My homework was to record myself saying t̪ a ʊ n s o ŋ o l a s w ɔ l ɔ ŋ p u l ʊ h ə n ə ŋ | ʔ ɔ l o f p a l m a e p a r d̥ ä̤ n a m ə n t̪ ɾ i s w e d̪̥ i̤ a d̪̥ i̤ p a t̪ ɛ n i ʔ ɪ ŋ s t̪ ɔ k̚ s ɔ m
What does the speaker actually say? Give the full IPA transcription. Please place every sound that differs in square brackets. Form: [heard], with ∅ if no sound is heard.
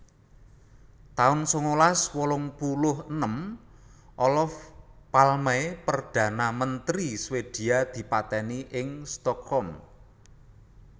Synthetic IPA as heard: t̪ a ʊ n s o ŋ o l a s w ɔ l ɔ ŋ p u l ʊ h ə n ə [m] | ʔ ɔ l [ɔ] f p a l m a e p [ə] r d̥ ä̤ n a m ə n t̪ ɾ i s w e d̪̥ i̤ a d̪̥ i̤ p a t̪ ɛ n i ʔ ɪ ŋ s t̪ ɔ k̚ [h] ɔ m